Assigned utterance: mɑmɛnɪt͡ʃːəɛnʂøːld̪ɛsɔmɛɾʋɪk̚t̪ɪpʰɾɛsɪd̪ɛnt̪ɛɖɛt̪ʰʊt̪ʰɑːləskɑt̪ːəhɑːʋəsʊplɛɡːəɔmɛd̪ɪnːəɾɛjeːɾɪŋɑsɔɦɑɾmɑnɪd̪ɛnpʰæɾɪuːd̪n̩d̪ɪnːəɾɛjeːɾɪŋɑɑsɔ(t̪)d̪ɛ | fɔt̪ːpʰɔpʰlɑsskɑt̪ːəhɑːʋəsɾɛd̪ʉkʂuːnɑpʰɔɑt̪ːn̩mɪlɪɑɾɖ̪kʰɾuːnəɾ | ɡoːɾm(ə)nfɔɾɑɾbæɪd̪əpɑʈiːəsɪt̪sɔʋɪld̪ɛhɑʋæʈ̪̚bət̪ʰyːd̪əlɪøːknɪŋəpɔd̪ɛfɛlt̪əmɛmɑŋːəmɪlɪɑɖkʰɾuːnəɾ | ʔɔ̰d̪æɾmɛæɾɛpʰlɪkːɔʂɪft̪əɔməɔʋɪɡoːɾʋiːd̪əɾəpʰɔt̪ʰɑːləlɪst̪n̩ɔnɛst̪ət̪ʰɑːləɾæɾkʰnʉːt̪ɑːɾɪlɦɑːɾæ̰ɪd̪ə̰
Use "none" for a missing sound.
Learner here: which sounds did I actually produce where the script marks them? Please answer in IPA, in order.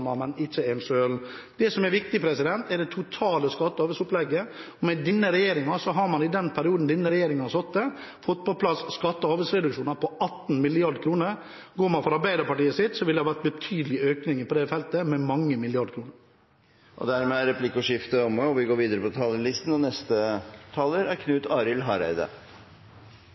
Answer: t̪, ɑ

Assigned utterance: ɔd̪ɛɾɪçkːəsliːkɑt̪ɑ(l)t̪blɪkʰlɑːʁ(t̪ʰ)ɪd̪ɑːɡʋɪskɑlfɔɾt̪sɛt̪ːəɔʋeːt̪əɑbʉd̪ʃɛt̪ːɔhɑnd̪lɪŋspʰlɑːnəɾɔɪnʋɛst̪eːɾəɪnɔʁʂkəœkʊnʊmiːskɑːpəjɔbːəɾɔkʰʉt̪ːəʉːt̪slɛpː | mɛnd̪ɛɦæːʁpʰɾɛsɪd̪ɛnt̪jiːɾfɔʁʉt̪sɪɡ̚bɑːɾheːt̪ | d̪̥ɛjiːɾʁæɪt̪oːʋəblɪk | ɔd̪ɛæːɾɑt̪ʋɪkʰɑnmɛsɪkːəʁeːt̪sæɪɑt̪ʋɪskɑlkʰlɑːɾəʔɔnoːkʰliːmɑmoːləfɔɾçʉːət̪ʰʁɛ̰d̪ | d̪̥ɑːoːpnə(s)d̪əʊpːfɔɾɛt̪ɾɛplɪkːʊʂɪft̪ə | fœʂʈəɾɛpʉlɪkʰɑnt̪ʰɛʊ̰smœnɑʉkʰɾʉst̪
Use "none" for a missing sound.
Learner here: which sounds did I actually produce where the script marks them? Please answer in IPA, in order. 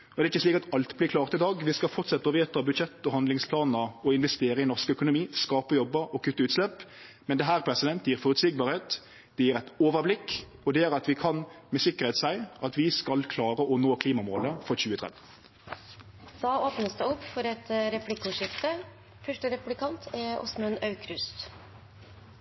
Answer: l, t̪, s

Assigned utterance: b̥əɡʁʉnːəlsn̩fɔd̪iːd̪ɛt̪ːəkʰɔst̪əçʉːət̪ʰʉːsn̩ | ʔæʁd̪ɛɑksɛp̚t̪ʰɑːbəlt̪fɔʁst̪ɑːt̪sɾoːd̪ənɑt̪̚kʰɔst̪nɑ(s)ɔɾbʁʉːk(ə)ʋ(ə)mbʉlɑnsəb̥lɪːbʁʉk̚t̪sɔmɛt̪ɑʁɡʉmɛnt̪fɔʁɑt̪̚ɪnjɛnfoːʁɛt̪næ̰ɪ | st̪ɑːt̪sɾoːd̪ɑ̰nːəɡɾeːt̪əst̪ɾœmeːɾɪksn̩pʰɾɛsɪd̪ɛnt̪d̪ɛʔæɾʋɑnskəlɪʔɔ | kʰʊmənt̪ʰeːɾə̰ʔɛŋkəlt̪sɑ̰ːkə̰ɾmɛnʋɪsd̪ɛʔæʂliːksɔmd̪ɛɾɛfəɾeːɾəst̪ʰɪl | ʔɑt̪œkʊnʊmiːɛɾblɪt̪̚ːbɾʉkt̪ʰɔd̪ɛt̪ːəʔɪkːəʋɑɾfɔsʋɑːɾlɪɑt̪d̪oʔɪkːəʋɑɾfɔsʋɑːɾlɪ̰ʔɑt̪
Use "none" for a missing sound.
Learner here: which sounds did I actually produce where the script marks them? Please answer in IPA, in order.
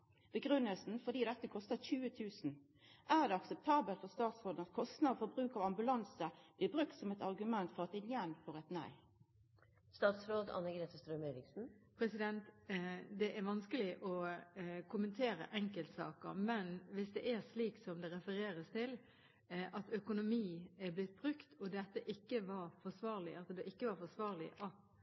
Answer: f, ɑ, ɑ

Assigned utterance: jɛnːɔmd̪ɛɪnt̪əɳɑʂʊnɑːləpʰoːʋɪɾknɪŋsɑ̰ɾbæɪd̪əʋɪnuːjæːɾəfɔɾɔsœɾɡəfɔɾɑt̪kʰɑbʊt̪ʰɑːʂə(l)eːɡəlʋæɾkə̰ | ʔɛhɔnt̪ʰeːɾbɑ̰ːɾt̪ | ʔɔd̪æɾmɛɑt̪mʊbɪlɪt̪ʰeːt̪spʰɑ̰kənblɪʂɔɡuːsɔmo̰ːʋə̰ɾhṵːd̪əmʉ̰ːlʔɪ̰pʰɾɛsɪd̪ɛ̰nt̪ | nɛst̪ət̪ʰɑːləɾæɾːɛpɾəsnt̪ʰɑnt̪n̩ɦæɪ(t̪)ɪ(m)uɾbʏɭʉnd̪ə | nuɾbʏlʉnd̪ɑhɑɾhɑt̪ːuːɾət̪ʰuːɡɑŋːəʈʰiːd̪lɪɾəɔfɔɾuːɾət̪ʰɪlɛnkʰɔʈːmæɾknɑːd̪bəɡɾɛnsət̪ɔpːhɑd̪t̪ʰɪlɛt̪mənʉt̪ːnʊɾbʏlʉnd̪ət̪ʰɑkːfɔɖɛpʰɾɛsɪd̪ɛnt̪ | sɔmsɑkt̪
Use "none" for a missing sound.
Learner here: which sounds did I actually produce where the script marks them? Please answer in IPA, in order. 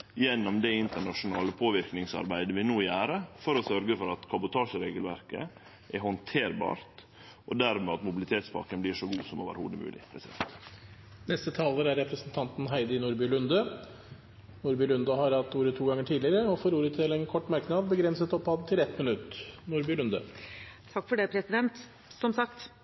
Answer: ɾ, d̪, n

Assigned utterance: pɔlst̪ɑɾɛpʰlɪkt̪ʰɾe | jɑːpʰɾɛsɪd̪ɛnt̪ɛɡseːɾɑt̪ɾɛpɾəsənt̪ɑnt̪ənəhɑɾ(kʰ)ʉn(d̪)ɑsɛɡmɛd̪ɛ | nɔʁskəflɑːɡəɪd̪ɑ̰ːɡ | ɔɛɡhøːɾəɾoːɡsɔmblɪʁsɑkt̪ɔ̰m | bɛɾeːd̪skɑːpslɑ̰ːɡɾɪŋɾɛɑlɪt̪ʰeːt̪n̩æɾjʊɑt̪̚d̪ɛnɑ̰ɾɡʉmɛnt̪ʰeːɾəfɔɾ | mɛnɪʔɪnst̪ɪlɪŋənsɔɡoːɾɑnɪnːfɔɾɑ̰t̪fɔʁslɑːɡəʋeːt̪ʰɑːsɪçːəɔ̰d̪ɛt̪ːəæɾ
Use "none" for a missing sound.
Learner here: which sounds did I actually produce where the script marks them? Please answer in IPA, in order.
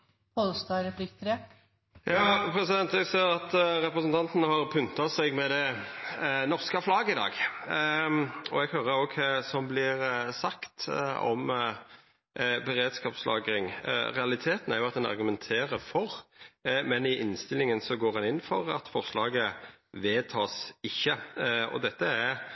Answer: pʰ, t̪

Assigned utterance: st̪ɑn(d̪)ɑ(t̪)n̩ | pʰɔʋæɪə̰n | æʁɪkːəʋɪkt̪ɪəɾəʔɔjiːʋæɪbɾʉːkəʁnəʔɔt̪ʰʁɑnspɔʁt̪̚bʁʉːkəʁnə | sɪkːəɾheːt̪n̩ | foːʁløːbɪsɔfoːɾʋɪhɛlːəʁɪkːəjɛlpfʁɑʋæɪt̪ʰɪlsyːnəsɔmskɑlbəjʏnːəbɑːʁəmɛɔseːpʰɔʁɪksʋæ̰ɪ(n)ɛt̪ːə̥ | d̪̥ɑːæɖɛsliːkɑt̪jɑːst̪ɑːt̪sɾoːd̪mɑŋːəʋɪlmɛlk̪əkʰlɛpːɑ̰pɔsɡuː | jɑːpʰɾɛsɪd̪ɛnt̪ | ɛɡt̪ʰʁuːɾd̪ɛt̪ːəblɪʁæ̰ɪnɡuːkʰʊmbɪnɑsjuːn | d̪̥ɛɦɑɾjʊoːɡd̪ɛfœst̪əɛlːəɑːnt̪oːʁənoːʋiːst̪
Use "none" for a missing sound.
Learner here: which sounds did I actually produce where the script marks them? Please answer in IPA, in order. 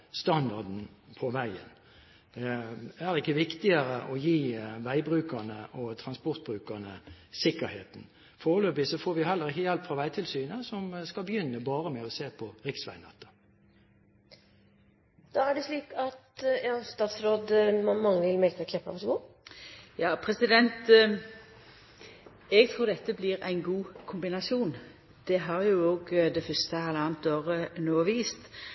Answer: d̪, d̪, n

